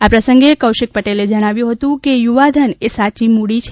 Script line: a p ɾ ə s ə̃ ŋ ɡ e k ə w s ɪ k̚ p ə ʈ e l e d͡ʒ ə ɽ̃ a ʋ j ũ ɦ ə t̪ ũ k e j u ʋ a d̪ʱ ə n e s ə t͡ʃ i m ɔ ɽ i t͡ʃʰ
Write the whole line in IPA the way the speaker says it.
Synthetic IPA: a p ɾ ə s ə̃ ŋ ɡ e k ə w ʃ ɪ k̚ p ə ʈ e l e d͡ʒ ə ɽ̃ a ʋ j ũ ɦ ə t̪ ũ k e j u ʋ a d̪ʱ ə n e s a t͡ʃ i m u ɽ i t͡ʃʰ